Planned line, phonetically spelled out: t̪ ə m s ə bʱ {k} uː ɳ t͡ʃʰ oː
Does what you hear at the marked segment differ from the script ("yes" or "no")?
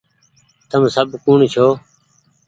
no